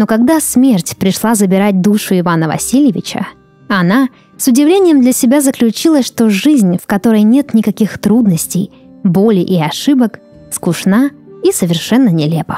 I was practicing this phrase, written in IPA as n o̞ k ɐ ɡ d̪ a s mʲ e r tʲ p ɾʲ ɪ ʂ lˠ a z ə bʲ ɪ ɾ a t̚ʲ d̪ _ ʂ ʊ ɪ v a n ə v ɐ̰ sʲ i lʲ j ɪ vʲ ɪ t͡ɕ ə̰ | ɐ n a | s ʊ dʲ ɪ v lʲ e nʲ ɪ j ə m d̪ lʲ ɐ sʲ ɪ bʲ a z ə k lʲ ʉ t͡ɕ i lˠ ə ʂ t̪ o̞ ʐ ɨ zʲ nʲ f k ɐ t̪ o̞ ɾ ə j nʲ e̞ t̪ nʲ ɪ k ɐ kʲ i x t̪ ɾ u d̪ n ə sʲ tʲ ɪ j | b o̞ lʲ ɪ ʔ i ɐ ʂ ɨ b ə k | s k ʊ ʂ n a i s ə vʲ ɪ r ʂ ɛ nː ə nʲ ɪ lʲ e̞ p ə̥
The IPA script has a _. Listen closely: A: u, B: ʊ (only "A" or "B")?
A